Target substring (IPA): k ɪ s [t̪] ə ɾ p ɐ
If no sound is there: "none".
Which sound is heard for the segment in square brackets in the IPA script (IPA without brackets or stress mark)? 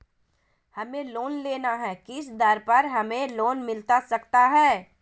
d̪